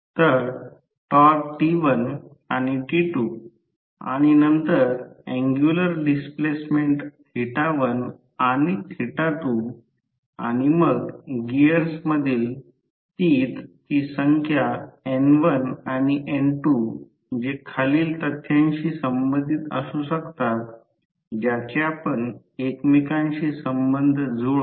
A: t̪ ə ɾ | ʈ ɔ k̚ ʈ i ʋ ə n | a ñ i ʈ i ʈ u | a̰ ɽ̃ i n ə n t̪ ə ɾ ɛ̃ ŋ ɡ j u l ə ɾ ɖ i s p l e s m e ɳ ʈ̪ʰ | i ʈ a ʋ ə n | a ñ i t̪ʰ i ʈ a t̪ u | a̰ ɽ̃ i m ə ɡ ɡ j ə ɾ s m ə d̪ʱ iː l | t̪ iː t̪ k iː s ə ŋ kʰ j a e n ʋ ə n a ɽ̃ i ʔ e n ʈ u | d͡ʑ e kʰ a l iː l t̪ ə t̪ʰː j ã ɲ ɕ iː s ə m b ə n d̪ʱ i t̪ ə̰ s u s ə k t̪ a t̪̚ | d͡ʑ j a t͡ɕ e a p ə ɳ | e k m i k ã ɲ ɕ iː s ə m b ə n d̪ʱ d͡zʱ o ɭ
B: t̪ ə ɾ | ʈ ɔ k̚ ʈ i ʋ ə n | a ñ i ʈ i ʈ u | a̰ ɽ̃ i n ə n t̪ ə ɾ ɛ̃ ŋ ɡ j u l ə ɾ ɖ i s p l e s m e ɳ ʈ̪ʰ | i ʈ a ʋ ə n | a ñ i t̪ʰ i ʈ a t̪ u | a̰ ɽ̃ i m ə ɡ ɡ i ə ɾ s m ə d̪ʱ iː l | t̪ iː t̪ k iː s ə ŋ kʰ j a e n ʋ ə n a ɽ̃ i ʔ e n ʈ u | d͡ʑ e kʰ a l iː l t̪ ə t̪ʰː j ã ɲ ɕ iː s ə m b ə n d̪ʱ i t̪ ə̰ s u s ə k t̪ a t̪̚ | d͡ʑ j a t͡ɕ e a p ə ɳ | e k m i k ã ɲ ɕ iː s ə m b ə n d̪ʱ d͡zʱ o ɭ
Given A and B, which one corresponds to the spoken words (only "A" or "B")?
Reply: B